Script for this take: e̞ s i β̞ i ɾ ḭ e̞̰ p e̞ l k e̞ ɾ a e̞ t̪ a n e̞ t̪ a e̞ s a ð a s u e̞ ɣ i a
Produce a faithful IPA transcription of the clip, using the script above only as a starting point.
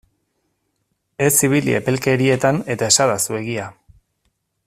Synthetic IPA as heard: e̞ s i β̞ i l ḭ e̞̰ p e̞ l k e̞ ɾ i e̞ t̪ a n e̞ t̪ a e̞ s a ð a s u e̞ ɣ i a